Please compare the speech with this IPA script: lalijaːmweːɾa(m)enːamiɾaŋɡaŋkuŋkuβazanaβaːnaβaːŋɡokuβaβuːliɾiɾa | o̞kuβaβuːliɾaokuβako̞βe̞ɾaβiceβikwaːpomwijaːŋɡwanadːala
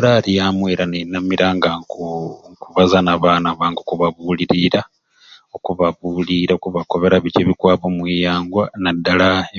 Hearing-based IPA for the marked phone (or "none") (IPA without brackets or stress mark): n